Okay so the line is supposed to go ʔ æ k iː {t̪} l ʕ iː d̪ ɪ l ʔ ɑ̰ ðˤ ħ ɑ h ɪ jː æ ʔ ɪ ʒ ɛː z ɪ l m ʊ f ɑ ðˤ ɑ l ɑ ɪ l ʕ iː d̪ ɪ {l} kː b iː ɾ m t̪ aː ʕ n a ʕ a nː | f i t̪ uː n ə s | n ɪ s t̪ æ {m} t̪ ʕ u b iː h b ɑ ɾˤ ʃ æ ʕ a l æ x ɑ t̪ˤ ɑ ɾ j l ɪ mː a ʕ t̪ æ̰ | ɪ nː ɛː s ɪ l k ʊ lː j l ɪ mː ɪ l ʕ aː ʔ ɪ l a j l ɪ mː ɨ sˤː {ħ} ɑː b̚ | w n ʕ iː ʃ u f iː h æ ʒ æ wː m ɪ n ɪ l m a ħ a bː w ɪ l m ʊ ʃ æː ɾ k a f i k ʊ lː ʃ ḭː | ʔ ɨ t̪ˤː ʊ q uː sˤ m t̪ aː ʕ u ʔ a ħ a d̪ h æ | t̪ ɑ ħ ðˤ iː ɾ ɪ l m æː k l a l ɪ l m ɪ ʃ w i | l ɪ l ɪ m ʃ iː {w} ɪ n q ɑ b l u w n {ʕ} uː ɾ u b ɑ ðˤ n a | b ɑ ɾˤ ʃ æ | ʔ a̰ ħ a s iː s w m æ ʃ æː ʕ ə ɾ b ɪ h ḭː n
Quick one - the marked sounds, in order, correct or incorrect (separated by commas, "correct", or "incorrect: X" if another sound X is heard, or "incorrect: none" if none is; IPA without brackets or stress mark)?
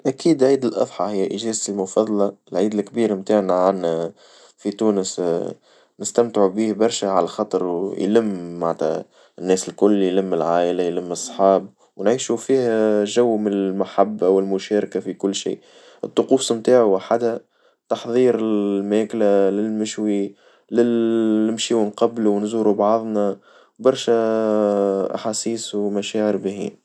incorrect: d̪, correct, correct, correct, correct, incorrect: z